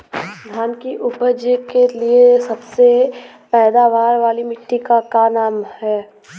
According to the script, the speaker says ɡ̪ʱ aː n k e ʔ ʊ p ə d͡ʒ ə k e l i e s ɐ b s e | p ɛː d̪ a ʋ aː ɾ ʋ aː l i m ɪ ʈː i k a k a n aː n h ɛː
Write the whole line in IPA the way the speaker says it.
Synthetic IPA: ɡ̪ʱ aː n k i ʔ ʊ p ə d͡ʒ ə k e l i e s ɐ b s e | p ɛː d̪ a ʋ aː ɾ ʋ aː l i m ɪ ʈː i k a k a n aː m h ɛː